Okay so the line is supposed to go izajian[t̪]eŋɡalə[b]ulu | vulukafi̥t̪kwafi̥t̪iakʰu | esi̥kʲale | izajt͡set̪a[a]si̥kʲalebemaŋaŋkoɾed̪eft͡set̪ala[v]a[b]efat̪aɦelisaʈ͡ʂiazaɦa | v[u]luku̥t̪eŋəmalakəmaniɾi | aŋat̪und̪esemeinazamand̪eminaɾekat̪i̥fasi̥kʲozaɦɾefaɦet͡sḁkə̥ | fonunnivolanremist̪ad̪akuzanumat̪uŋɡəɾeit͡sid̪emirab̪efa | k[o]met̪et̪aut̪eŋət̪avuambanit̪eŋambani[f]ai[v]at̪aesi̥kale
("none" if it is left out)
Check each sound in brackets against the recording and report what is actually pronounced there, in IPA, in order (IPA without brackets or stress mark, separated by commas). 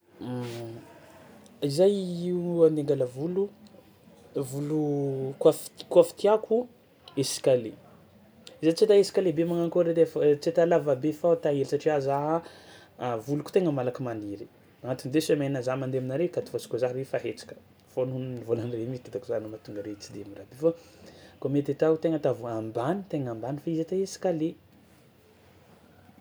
d̪, v, e, v, b, u, o, f, z